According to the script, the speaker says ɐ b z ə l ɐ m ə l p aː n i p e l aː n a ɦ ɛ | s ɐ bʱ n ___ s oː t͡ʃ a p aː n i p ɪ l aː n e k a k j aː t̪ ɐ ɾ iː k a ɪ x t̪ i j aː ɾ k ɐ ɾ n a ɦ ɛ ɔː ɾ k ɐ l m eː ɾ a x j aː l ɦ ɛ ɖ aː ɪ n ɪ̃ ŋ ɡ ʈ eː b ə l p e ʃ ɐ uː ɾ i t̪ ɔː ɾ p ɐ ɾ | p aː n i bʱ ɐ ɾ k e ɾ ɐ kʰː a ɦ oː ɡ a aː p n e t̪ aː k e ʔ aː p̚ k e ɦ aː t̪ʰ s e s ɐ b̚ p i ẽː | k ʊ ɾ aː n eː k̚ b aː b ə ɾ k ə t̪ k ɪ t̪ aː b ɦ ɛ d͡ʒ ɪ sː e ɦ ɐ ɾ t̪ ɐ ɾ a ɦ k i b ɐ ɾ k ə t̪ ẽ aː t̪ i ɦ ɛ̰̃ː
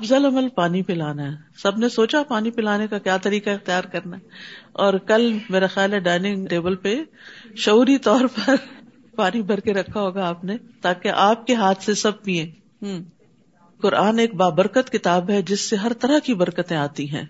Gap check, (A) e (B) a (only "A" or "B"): A